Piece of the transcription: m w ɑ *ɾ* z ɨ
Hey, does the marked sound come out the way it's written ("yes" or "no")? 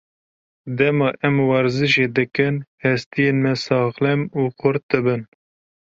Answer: yes